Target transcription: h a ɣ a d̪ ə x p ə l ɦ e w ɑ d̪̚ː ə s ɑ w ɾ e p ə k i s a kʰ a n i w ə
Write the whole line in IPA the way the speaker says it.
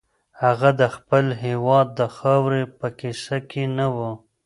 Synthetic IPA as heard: h a ɣ a d̪ ə x p ə l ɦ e w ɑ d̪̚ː ə x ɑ w ɾ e p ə k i s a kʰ e n a w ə